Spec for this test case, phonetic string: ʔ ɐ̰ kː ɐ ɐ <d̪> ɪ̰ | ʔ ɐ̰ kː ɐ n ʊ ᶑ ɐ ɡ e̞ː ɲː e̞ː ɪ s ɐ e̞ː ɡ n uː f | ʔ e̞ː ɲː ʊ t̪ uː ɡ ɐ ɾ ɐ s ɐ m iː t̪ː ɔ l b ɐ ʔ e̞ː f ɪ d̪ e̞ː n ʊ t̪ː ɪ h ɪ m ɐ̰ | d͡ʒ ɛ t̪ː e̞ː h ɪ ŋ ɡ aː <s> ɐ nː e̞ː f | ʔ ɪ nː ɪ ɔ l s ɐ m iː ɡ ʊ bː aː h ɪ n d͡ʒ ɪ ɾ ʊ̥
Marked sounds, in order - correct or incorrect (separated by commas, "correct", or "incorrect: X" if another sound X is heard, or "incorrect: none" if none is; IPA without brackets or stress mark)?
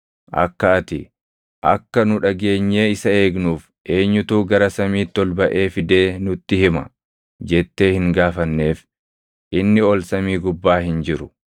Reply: incorrect: t̪, incorrect: f